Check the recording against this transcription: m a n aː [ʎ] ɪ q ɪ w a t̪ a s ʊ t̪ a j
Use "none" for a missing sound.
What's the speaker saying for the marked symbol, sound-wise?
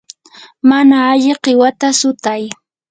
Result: ʎ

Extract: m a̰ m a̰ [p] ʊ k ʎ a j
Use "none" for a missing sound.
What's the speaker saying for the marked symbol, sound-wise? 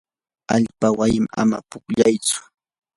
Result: p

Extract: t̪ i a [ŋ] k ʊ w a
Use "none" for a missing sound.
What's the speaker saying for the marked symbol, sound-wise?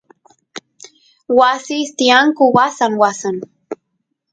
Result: ŋ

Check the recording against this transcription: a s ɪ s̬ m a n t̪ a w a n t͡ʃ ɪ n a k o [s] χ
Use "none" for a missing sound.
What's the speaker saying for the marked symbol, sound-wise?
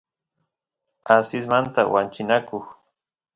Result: none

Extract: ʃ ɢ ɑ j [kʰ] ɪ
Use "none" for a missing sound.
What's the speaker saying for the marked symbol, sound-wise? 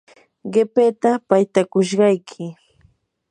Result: kʰ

